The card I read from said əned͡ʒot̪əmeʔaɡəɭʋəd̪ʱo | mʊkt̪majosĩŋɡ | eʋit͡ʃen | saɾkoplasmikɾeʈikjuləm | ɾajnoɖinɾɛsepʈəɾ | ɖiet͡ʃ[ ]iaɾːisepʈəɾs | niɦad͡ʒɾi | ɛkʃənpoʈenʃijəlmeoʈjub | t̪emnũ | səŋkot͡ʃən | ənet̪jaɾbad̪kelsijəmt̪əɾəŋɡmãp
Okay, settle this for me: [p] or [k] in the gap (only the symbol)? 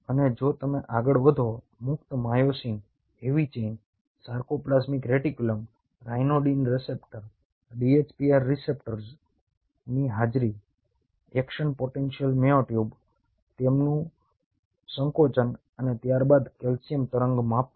p